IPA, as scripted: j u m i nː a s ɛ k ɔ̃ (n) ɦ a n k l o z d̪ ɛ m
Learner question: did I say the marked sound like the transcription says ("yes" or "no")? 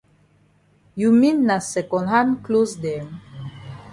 yes